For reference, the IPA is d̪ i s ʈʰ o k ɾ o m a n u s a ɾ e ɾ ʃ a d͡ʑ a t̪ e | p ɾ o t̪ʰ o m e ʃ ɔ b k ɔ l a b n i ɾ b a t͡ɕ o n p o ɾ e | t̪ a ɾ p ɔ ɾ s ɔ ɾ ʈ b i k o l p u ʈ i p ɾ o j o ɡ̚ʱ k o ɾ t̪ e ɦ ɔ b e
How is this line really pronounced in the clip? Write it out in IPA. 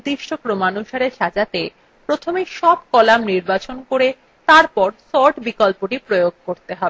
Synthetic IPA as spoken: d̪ i ʃ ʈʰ o k ɾ o m a n u ʃ a ɾ e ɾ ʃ a d͡ʑ a t̪ e | p ɾ o t̪ʰ o m e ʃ ɔ b k ɔ l a m n i ɾ b a t͡ɕ o n k o ɾ e | t̪ a ɾ p ɔ ɾ s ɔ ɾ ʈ b i k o l p o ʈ i p ɾ o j o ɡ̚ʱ k o ɾ t̪ e ɦ ɔ b e